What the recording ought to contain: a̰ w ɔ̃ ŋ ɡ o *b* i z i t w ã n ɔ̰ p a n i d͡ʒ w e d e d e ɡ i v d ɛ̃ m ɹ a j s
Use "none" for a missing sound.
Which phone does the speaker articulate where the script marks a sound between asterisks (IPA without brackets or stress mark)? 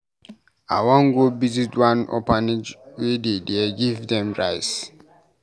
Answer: b